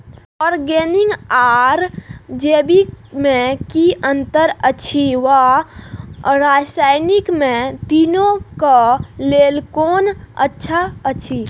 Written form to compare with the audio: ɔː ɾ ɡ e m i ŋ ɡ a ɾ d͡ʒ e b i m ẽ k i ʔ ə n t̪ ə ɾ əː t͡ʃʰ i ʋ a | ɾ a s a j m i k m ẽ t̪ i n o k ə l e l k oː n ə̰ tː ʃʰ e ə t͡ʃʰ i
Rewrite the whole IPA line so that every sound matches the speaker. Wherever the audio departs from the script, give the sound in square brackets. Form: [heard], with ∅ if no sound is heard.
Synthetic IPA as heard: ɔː ɾ ɡ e [n] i ŋ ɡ a ɾ d͡ʒ e b i m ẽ k i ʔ ə n t̪ ə ɾ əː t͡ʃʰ i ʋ a | ɾ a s a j [n] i k m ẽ t̪ i n o k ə l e l k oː n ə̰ tː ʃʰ [a] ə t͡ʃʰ i